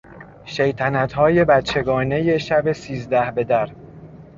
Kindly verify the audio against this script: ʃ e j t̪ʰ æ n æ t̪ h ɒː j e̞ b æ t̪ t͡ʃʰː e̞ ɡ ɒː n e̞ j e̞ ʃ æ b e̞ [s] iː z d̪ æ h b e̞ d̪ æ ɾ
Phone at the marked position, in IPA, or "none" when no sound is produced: s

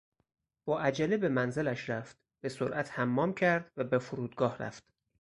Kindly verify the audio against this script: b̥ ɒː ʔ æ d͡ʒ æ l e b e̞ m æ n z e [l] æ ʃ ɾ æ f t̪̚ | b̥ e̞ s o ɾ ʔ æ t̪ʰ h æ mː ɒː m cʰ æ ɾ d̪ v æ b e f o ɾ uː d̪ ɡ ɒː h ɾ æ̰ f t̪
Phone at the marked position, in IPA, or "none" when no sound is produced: l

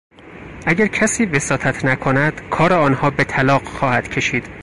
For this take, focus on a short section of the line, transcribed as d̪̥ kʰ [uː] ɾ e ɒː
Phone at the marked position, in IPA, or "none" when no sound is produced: ɒː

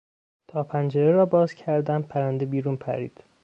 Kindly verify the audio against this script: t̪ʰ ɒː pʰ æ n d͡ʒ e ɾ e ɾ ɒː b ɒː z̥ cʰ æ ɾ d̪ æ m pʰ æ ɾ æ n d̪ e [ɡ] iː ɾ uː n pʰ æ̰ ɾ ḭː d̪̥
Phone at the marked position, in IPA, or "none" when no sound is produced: b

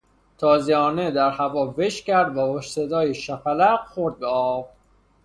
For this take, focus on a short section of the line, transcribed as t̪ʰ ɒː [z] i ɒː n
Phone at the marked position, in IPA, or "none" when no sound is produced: z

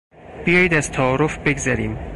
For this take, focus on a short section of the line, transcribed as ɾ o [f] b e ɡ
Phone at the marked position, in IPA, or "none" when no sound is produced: f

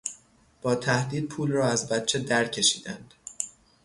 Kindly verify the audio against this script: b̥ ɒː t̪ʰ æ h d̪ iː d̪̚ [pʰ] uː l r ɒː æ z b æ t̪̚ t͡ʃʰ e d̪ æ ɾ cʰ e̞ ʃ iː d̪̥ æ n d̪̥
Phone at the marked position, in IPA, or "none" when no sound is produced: pʰ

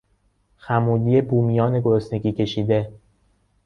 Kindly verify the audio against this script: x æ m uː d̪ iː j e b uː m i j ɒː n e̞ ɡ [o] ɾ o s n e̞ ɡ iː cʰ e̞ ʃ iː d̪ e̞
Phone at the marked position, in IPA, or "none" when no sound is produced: o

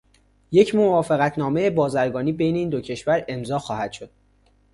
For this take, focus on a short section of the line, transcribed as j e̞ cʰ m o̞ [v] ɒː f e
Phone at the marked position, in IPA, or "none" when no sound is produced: v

